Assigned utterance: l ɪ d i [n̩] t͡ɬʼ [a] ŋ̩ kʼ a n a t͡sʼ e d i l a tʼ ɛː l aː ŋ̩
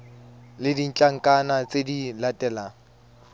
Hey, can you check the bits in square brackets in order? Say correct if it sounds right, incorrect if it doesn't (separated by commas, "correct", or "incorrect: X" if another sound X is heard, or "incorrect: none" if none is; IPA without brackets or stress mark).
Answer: correct, correct